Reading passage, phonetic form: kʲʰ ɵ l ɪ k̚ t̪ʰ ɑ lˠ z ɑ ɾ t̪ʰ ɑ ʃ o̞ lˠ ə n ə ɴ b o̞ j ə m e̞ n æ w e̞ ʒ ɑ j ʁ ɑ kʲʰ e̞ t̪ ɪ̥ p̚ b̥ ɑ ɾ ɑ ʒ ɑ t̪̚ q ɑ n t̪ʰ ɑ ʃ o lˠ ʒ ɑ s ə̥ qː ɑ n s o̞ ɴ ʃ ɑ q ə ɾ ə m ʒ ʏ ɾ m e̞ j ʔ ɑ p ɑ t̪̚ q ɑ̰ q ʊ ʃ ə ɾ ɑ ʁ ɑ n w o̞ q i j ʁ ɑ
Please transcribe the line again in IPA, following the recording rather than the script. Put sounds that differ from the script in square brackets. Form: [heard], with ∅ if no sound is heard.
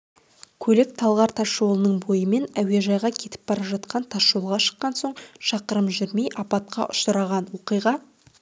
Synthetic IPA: kʲʰ ɵ l ɪ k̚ t̪ʰ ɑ lˠ [ʁ] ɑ ɾ t̪ʰ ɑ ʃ o̞ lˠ ə n ə ɴ b o̞ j ə m e̞ n æ w e̞ ʒ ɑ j ʁ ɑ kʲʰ e̞ t̪ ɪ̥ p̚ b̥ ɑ ɾ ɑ ʒ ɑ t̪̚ q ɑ n t̪ʰ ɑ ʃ o lˠ [ʁ] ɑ [ʃ] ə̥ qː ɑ n s o̞ ɴ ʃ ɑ q ə ɾ ə m ʒ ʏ ɾ m e̞ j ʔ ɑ p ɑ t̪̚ q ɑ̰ [ʔ] ʊ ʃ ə ɾ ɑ ʁ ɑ n w o̞ q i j ʁ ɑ